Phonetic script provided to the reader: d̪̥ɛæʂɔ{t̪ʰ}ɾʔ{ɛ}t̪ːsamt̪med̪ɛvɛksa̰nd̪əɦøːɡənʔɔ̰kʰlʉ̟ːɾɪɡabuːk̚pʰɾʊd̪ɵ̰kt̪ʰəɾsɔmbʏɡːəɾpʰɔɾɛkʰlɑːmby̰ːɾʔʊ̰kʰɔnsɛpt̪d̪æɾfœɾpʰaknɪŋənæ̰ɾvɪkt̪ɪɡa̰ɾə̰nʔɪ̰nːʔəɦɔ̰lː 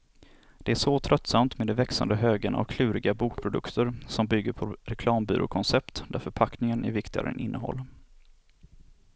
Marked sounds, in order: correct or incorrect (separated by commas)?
correct, incorrect